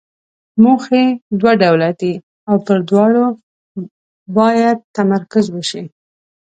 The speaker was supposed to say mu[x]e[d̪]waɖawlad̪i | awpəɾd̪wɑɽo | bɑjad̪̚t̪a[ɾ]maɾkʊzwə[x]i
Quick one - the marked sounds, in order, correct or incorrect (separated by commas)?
correct, correct, incorrect, incorrect